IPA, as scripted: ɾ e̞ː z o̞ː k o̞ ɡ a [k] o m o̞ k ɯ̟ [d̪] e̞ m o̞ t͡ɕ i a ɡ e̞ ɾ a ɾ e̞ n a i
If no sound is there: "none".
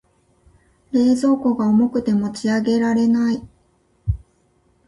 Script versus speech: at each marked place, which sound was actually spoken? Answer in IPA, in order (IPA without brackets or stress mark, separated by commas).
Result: none, t̪